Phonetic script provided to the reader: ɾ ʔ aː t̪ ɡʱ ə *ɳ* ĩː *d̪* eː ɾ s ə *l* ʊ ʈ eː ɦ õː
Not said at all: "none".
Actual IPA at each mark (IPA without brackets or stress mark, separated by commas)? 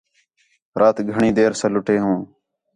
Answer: ɳ, d̪, l